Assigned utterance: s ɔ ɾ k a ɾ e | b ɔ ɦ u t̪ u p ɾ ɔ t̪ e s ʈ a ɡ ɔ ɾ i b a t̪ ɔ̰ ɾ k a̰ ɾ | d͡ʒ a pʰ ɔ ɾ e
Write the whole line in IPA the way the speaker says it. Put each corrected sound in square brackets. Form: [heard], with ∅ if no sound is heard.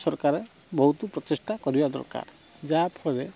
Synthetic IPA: s ɔ ɾ k a ɾ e | b ɔ ɦ u t̪ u p ɾ ɔ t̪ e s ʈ a [k] ɔ ɾ i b a [d̪] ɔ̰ ɾ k a̰ ɾ | d͡ʒ a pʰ ɔ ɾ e